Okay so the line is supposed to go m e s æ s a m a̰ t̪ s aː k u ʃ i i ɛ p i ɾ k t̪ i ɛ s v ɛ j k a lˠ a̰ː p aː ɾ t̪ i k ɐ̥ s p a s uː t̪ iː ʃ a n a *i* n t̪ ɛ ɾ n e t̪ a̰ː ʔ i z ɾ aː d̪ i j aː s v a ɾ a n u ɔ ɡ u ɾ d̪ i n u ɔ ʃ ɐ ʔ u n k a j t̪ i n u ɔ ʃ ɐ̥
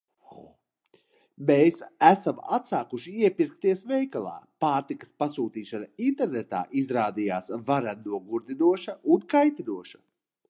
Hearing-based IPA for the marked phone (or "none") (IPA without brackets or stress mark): i